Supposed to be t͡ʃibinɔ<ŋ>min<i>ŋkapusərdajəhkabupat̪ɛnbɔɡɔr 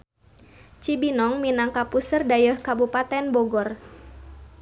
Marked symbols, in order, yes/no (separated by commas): yes, no